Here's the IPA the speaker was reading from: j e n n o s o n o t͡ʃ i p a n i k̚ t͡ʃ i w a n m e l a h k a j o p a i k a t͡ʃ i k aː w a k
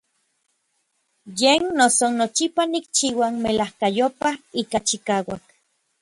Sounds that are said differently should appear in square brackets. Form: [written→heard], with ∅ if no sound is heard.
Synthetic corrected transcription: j e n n o s o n o t͡ʃ i p a n i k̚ t͡ʃ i w a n m e l a h k a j o p a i k a t͡ʃ i k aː w a k

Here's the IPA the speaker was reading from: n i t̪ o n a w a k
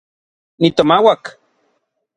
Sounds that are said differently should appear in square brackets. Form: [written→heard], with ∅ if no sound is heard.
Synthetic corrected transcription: n i t̪ o [n→m] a w a k

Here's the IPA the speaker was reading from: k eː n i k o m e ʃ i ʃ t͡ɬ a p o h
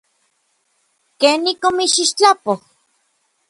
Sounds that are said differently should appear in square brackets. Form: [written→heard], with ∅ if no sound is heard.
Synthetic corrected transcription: k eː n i k o m [e→i] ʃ i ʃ t͡ɬ a p o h

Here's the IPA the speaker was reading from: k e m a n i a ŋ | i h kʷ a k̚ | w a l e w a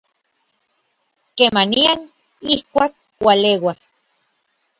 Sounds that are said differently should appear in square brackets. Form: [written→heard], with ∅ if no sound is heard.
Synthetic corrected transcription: k e m a n i a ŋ | i h kʷ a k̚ | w a l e w a

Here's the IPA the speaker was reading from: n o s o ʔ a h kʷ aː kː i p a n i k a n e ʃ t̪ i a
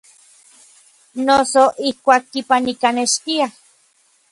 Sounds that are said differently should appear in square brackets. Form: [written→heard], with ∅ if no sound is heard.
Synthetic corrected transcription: n o s o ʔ [a→i] h kʷ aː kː i p a n i k a n e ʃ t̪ i a

